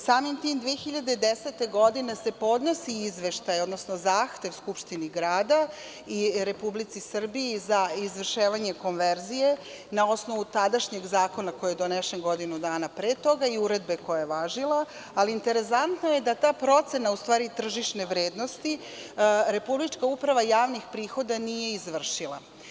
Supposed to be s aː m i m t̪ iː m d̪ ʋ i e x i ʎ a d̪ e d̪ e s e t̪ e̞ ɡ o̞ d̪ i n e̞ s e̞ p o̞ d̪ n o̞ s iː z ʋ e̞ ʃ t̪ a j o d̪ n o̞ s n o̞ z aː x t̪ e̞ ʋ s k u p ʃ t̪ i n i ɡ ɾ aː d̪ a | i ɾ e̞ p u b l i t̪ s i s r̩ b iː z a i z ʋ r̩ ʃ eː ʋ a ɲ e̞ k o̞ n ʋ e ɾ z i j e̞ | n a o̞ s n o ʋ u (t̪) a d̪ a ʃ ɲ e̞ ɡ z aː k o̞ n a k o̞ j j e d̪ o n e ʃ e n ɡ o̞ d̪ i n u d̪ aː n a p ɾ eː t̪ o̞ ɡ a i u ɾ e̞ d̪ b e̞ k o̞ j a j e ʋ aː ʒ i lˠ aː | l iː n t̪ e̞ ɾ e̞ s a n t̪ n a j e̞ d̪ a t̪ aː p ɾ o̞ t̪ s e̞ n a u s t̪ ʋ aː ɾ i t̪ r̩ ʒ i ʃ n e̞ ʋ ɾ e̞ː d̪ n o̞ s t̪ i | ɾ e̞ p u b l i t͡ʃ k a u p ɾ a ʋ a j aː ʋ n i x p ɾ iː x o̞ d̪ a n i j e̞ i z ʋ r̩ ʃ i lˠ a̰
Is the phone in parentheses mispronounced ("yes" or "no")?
no